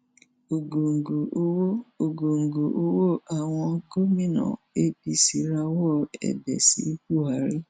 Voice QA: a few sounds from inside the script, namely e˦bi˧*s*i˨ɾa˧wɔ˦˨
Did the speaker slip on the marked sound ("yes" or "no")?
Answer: no